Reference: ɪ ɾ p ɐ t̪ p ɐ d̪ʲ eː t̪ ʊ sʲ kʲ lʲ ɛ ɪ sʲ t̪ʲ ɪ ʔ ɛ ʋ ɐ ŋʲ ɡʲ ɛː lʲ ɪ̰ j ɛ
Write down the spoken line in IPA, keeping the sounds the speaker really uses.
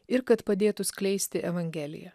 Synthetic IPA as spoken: ɪ ɾ k ɐ t̪ p ɐ d̪ʲ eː t̪ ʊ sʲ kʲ lʲ ɛ ɪ sʲ t̪ʲ ɪ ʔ ɛ ʋ ɐ ŋʲ ɡʲ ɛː lʲ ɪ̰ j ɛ